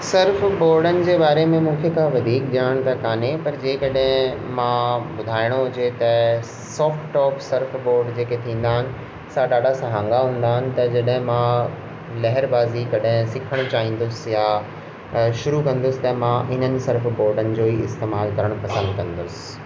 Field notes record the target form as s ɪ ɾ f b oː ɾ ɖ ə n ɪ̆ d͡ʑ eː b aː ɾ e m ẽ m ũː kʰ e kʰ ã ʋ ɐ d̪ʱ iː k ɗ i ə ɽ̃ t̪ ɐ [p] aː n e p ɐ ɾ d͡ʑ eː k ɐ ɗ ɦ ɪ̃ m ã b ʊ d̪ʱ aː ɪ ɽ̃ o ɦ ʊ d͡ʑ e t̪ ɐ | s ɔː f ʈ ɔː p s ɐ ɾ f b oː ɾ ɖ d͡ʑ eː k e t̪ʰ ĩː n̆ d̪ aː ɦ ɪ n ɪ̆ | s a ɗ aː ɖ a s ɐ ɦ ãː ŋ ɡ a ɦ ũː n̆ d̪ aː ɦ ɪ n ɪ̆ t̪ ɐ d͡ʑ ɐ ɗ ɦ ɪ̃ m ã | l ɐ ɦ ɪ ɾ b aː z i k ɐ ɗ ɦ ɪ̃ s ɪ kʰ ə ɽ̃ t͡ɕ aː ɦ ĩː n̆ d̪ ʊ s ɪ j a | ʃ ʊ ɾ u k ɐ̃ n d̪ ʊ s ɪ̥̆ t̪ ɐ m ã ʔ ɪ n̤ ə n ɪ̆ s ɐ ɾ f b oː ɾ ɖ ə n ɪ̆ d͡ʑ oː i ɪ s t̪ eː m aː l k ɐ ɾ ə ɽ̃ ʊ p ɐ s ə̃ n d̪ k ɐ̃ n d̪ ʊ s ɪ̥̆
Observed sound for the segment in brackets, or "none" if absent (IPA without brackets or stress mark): k